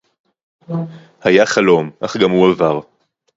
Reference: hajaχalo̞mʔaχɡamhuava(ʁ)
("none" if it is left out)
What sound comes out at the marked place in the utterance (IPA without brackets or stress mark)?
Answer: ʁ